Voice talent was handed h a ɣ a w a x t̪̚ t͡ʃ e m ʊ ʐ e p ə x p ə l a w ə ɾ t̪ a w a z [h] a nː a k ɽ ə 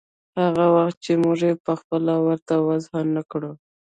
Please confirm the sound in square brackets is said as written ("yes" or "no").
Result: yes